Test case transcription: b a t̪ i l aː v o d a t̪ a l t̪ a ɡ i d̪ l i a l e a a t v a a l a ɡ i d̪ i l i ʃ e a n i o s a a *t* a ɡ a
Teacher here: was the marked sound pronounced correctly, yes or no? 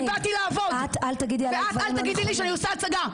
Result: no